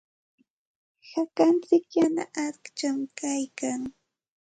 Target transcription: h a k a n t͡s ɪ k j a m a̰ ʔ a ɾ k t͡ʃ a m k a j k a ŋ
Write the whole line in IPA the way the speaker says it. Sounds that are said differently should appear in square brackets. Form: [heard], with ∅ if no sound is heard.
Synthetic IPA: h a k a n t͡s ɪ k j a [n] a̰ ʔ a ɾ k t͡ʃ a m k a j k a ŋ